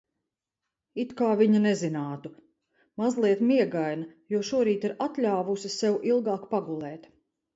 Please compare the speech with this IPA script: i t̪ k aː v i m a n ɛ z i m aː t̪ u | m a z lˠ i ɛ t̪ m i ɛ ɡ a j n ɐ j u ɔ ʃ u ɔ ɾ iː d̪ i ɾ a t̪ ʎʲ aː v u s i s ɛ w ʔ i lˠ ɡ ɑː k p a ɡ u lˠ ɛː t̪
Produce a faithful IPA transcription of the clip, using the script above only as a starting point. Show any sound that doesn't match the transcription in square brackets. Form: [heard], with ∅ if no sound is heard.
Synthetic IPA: i t̪ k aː v i [ɲ] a n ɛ z i [n] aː t̪ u | m a z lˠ i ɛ t̪ m i ɛ ɡ a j n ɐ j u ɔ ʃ u ɔ ɾ iː [t̪] i ɾ a t̪ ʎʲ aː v u s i s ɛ w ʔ i lˠ ɡ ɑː k p a ɡ u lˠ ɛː t̪